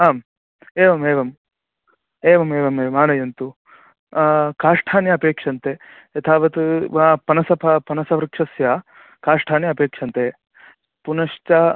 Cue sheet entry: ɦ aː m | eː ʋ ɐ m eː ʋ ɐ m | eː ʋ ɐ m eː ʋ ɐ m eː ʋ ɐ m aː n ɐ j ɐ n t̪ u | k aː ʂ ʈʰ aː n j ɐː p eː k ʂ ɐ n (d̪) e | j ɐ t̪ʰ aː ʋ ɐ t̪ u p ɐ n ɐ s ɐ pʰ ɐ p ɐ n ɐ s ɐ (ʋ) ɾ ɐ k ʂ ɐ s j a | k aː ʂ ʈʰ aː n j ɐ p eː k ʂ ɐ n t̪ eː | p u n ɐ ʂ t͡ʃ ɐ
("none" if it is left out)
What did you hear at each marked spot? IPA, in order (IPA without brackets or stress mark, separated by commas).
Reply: t̪, ʋ